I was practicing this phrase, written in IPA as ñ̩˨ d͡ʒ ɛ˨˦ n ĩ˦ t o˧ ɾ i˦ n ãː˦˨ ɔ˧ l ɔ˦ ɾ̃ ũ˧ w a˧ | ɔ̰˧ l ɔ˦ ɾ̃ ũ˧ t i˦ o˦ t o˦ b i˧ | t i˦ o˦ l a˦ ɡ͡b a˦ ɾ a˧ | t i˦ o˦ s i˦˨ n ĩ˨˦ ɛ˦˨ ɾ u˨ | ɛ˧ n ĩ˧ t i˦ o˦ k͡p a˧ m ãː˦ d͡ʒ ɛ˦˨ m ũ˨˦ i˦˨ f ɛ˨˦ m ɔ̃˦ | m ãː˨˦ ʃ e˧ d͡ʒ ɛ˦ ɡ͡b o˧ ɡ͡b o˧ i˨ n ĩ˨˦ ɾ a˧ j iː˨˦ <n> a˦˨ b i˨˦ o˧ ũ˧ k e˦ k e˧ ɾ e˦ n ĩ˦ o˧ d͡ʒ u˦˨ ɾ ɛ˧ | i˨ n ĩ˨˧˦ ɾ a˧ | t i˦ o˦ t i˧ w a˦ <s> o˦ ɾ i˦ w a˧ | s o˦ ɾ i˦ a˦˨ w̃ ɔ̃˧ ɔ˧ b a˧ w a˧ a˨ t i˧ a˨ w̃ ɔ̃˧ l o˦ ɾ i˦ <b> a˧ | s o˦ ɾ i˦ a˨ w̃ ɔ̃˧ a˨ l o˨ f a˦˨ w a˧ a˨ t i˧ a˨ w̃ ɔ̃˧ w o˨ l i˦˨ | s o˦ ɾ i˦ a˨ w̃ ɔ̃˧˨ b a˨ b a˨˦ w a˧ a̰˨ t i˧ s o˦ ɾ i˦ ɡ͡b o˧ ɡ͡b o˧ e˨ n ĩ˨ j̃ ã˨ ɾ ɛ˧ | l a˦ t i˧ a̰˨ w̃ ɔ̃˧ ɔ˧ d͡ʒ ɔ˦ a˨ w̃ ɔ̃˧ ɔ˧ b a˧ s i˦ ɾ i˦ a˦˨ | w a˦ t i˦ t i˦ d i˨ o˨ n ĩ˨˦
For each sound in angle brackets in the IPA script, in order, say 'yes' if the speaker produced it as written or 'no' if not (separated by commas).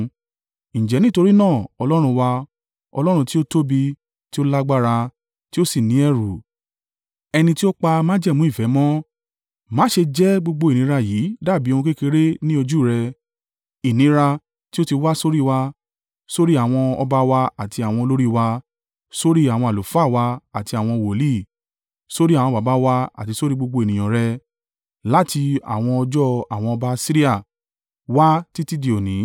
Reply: no, yes, no